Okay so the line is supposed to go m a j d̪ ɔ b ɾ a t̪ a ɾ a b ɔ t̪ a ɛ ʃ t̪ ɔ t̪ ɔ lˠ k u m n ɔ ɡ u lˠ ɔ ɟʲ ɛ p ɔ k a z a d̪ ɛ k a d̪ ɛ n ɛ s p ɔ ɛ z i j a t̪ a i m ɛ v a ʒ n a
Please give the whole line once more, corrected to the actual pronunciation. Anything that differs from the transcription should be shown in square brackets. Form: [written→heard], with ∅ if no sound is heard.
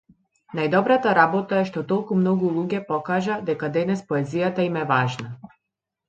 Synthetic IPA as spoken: [m→n] a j d̪ ɔ b ɾ a t̪ a ɾ a b ɔ t̪ a ɛ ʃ t̪ ɔ t̪ ɔ lˠ k u m n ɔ ɡ u lˠ [ɔ→u] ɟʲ ɛ p ɔ k a [z→ʒ] a d̪ ɛ k a d̪ ɛ n ɛ s p ɔ ɛ z i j a t̪ a i m ɛ v a ʒ n a